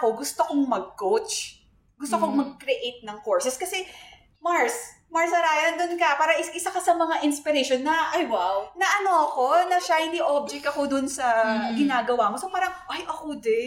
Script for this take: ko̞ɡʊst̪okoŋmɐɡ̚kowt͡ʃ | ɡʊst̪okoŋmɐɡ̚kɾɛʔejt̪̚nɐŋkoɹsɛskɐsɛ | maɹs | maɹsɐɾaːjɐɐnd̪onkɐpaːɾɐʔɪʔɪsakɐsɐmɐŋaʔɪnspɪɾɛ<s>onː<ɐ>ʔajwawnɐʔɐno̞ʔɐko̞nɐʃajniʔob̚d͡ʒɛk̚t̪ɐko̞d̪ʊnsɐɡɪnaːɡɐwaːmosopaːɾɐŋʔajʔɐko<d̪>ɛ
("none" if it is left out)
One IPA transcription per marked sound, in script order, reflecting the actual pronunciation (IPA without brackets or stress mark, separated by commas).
ʃ, ɐ, d̪